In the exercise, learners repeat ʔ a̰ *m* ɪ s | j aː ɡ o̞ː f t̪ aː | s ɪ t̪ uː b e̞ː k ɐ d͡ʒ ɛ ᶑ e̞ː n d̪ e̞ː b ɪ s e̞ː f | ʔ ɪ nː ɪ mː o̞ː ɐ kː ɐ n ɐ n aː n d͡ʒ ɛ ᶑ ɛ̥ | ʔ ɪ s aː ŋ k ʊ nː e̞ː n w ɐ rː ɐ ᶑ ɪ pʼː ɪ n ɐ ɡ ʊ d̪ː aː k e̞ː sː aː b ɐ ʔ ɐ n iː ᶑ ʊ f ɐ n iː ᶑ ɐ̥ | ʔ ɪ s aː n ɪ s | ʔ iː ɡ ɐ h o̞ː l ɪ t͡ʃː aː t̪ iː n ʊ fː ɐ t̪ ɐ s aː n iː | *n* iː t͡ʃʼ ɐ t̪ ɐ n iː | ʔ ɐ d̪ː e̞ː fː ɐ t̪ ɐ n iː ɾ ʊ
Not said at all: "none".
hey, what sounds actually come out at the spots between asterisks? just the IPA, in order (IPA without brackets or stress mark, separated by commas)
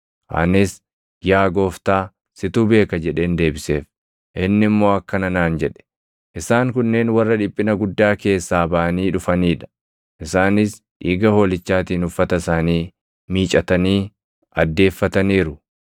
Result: n, m